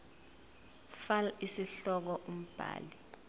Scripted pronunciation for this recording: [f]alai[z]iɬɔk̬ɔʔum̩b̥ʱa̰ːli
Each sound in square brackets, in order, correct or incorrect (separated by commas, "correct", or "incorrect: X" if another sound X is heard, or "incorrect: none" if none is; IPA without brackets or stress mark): correct, incorrect: s